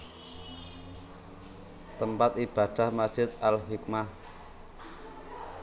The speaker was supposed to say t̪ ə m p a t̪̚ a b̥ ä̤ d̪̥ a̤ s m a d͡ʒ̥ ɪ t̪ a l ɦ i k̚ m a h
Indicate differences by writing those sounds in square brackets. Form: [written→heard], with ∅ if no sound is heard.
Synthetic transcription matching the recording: t̪ ə m p a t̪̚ [a→i] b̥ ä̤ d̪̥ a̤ [s→h] m a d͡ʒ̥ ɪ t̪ a l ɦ i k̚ m a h